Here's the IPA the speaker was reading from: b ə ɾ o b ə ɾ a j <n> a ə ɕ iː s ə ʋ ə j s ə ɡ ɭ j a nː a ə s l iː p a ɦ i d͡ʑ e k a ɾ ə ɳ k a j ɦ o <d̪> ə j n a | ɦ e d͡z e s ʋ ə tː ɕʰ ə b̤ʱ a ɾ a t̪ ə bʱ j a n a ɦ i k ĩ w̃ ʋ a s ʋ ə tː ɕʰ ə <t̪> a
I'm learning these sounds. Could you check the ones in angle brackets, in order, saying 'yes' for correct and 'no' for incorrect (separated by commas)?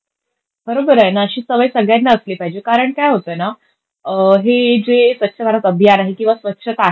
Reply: yes, no, yes